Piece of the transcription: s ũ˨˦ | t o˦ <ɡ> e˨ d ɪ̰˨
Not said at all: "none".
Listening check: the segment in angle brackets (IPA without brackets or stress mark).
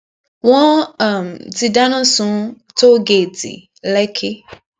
ɡ